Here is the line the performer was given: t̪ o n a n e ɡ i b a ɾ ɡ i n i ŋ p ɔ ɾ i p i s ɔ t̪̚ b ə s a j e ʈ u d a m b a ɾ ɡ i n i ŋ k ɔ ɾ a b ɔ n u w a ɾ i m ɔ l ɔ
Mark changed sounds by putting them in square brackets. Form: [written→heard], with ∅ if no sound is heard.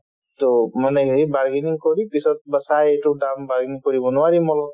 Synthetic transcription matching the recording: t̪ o [n→m] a n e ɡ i b a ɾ ɡ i n i ŋ [p→k] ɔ ɾ i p i s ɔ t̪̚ b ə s a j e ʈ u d a m b a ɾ ɡ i n i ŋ k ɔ ɾ [a→i] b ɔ n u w a ɾ i m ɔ l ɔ